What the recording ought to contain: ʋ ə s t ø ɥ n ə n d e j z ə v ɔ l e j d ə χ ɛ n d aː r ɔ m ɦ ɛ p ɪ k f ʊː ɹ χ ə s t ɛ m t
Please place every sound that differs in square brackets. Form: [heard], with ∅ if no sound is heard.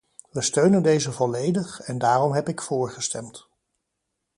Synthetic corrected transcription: ʋ ə s t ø ɥ n ə n d e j z ə v ɔ l e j d ə χ ɛ n d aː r ɔ m ɦ ɛ p ɪ k f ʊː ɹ χ ə s t ɛ m t